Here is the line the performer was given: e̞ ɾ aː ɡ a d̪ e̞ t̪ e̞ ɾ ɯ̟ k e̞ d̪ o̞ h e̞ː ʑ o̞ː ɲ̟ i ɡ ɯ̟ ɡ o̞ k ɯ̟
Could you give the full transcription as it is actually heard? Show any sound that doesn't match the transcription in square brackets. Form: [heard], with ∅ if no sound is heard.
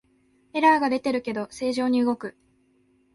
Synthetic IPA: e̞ ɾ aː ɡ a d̪ e̞ t̪ e̞ ɾ ɯ̟ k e̞ d̪ o̞ [s] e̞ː ʑ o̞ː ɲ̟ i [∅] ɯ̟ ɡ o̞ k ɯ̟